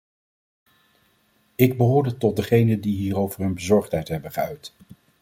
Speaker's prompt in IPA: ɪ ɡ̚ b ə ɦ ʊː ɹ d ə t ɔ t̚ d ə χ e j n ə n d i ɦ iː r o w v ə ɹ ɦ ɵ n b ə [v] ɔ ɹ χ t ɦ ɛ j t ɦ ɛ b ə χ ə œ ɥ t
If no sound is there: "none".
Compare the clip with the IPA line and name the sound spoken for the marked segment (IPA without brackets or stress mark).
z